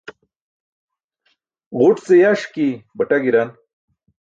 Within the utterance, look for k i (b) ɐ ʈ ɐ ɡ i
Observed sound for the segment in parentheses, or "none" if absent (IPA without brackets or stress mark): b